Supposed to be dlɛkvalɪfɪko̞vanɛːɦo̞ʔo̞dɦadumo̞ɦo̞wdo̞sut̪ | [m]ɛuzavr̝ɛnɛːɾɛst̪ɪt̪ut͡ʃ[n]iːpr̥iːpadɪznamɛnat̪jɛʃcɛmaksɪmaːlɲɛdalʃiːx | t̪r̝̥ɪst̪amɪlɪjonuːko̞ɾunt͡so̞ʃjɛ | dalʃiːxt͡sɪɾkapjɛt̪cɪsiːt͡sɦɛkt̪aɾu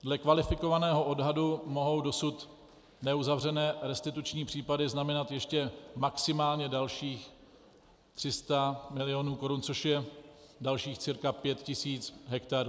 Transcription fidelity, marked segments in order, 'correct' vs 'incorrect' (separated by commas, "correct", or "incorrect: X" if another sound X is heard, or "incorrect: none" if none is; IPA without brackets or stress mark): incorrect: n, incorrect: ɲ